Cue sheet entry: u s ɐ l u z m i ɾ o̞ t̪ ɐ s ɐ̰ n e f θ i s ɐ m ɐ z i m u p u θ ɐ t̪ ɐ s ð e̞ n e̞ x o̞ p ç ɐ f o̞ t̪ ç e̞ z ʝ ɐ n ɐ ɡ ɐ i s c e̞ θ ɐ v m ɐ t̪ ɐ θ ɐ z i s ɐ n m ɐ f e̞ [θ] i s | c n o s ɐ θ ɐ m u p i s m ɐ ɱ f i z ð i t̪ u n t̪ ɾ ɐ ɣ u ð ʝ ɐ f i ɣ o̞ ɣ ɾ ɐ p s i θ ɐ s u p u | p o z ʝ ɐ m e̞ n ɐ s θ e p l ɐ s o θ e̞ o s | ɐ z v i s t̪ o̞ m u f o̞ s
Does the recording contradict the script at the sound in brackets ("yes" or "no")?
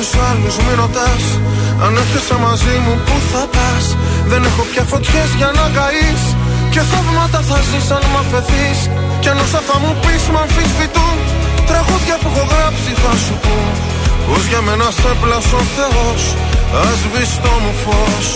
no